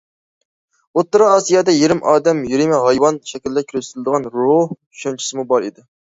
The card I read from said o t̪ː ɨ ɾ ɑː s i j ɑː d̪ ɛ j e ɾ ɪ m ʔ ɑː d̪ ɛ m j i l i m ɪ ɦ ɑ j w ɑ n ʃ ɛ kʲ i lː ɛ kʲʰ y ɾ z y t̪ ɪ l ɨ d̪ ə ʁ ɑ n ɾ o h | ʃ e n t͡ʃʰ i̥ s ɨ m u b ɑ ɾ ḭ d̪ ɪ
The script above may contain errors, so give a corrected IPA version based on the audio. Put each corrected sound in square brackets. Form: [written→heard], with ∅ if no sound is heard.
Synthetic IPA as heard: o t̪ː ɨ ɾ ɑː s i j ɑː d̪ ɛ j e ɾ ɪ m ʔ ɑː d̪ ɛ m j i [l→ɾ] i m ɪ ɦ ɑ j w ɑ n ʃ ɛ kʲ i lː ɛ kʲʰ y ɾ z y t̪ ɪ l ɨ d̪ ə ʁ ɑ n ɾ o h | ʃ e n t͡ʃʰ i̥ s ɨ m u b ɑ ɾ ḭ d̪ ɪ